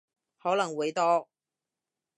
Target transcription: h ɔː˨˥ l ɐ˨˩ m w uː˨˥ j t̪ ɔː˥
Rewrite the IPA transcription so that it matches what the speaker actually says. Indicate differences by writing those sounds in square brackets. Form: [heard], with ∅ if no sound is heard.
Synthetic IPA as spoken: h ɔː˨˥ l ɐ˨˩ [ŋ] w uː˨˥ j t̪ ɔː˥

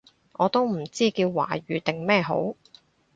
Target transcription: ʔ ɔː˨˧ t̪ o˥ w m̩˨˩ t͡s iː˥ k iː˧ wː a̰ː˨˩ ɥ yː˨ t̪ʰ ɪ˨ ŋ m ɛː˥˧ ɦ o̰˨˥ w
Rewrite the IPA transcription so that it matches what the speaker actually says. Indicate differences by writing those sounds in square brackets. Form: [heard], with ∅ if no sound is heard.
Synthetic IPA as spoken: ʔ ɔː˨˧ t̪ o˥ w m̩˨˩ t͡s iː˥ k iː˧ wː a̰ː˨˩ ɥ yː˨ [t̪] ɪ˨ ŋ m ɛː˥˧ ɦ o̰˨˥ w

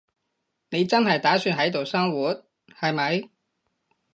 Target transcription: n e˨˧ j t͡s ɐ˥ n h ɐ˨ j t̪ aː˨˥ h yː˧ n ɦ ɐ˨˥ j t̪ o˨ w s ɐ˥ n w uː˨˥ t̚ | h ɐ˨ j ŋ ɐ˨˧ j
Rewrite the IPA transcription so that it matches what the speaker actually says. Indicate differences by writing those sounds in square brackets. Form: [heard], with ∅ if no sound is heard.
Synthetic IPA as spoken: n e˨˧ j t͡s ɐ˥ n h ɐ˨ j t̪ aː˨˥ [s] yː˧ n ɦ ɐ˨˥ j t̪ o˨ w s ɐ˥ [ŋ] w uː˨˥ t̚ | h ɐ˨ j [m] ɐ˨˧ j

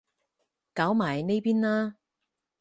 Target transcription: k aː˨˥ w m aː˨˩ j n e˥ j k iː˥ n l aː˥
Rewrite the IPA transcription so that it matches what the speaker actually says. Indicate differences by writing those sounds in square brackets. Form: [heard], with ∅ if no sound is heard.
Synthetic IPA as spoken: k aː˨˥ w m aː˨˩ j n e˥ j [p] iː˥ n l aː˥

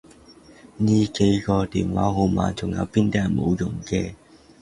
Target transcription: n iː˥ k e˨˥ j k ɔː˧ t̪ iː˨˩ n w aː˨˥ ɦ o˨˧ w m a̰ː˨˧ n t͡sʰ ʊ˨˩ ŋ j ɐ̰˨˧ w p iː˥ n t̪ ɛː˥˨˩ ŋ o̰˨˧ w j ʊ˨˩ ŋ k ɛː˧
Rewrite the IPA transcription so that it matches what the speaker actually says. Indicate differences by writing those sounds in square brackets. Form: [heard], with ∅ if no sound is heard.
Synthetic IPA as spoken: n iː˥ k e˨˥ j k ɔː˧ t̪ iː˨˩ n w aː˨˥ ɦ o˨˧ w m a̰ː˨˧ n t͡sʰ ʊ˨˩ ŋ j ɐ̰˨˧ w p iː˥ n t̪ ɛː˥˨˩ [m] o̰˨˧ w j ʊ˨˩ ŋ k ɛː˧

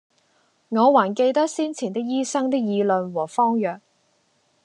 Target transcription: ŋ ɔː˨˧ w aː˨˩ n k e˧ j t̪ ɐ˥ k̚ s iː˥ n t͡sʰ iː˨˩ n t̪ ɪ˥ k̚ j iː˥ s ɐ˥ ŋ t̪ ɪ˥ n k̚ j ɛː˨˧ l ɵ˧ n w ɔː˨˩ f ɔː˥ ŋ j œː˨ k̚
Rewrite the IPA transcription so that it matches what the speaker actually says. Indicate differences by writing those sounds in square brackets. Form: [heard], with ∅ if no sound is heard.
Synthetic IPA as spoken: ŋ ɔː˨˧ w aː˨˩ n k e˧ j t̪ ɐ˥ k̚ s iː˥ n t͡sʰ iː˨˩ n t̪ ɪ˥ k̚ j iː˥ s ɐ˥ ŋ t̪ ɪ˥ [∅] k̚ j [iː˨˧] l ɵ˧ n w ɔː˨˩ f ɔː˥ ŋ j œː˨ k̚

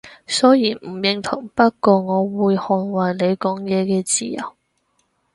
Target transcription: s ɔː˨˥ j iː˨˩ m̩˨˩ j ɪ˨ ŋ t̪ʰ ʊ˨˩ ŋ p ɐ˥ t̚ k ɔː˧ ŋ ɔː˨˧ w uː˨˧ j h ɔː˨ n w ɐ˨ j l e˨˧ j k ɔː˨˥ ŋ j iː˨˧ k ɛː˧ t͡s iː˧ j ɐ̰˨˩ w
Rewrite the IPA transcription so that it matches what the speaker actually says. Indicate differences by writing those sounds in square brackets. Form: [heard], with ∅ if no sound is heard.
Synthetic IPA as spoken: s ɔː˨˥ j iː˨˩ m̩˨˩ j ɪ˨ ŋ t̪ʰ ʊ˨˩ ŋ p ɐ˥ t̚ k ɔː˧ ŋ ɔː˨˧ w uː˨˧ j h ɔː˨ n w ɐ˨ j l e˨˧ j k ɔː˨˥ ŋ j [ɛː˨˧] k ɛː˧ t͡s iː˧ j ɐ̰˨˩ w

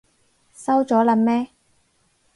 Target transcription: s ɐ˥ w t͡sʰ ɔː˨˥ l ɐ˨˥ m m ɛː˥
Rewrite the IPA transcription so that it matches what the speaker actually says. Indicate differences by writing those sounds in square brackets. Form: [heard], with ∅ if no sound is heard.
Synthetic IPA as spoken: s ɐ˥ w [t͡s] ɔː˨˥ l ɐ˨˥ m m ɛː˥

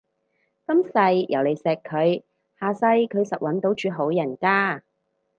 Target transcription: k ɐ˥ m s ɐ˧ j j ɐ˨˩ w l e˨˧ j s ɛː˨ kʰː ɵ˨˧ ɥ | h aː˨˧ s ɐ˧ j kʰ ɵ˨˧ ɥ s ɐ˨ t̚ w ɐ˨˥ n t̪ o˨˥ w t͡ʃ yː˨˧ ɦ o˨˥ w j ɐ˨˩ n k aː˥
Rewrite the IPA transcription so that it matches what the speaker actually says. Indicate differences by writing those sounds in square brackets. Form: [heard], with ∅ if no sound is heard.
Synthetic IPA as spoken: k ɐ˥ m s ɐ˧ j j ɐ˨˩ w l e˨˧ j s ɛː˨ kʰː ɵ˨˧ ɥ | h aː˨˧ s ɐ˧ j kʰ ɵ˨˧ ɥ s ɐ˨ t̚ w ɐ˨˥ n t̪ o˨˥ w t͡ʃ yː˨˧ ɦ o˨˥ w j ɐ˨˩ n k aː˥

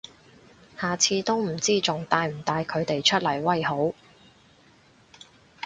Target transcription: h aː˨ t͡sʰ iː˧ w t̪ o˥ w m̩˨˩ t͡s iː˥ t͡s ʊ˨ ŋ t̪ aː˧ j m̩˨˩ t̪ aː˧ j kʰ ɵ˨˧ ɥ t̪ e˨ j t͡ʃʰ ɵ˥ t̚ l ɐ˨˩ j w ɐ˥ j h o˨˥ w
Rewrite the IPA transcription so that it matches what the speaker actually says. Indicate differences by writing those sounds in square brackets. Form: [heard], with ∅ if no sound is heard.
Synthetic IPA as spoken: h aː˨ t͡sʰ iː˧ [∅] t̪ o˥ w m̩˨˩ t͡s iː˥ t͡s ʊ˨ ŋ t̪ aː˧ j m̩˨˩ t̪ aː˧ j kʰ ɵ˨˧ ɥ t̪ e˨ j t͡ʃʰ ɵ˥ t̚ l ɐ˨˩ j w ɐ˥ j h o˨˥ w

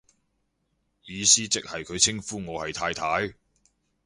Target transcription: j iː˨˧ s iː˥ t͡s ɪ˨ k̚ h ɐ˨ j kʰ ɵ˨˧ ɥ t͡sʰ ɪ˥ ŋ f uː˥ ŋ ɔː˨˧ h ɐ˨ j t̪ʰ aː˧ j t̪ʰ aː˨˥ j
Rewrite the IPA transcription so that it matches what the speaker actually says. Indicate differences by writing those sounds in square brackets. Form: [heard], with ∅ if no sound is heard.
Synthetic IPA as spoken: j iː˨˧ s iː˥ t͡s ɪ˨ k̚ h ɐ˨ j kʰ ɵ˨˧ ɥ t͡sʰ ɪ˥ ŋ f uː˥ ŋ ɔː˨˧ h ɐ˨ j t̪ʰ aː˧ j t̪ʰ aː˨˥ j

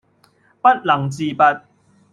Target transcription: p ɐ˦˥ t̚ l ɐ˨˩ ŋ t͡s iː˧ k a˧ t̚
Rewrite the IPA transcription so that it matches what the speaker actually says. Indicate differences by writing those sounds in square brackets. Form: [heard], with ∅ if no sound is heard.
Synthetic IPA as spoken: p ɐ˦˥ t̚ l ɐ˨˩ ŋ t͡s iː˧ [p] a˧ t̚

